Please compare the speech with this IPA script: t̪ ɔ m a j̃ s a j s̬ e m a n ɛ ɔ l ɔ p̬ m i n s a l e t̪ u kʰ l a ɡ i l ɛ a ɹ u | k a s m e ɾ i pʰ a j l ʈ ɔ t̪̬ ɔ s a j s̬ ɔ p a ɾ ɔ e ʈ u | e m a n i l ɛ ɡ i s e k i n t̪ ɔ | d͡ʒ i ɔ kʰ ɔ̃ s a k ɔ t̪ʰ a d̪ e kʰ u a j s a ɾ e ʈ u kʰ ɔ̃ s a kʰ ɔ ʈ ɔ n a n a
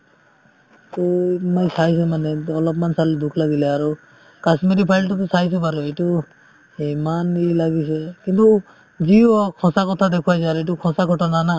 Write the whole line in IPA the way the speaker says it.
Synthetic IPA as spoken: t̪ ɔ m a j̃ s a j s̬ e m a n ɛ ɔ l ɔ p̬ m a n s a l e d̪ u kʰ l a ɡ i l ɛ a ɾ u | k a s m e ɾ i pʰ a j l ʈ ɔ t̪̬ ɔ s a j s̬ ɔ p a ɾ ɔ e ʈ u | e m a n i l a ɡ i s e k i n t̪ u | d͡ʒ i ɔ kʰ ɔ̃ s a k ɔ t̪ʰ a d̪ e kʰ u a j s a ɾ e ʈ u kʰ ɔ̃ s a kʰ ɔ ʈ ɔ n a n a